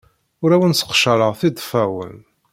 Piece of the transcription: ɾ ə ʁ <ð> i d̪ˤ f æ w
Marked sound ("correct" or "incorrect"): incorrect